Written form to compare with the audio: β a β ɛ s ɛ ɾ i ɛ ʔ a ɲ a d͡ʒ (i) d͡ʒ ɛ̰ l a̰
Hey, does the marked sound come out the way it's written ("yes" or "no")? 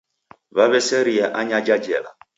no